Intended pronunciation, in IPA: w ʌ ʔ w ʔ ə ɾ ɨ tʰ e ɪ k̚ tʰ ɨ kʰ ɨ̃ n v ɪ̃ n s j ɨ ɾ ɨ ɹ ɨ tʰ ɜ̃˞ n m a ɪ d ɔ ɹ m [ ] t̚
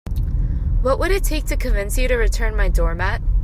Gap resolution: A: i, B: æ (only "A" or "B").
B